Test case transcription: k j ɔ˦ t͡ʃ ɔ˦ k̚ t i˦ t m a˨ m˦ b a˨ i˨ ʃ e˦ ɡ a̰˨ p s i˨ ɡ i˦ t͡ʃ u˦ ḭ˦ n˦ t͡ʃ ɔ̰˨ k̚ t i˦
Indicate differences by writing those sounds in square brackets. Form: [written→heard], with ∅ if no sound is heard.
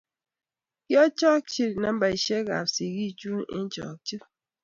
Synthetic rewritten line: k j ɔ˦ t͡ʃ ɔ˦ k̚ [t→t͡ʃ] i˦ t [m→n] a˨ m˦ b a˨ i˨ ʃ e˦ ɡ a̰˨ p s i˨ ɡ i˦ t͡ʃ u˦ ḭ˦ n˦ t͡ʃ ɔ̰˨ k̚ [t→t͡ʃ] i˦